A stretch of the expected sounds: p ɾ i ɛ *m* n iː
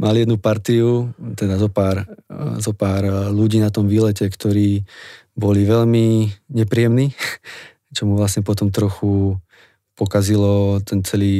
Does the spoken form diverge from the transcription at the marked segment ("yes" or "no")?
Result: no